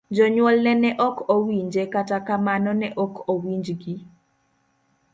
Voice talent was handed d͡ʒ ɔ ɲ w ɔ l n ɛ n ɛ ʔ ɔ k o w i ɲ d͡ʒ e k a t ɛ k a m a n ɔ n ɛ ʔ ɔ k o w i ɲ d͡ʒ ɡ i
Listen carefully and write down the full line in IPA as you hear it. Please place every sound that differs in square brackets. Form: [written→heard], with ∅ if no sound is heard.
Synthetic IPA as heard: d͡ʒ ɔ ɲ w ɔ l n ɛ n ɛ ʔ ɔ k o w i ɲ d͡ʒ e k a t [ɛ→a] k a m a n ɔ n ɛ ʔ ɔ k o w i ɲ d͡ʒ ɡ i